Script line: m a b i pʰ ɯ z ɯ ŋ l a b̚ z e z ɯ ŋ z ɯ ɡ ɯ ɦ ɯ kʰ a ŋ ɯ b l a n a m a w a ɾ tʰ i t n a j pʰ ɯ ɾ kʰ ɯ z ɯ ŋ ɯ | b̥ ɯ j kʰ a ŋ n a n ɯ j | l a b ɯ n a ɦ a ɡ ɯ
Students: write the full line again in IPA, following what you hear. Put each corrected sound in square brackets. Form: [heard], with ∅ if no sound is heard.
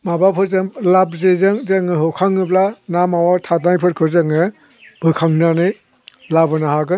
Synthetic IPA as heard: m a b [a] pʰ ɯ z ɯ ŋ l a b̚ z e z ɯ ŋ z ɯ [ŋ] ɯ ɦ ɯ kʰ a ŋ ɯ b l a n a m a w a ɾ tʰ [a] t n a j pʰ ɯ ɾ kʰ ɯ z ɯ ŋ ɯ | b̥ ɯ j kʰ a ŋ n a n ɯ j | l a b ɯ n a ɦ a ɡ ɯ